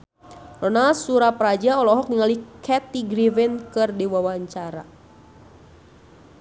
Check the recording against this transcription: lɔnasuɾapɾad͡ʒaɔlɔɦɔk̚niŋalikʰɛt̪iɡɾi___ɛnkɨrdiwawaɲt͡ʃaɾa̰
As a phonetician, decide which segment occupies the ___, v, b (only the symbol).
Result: v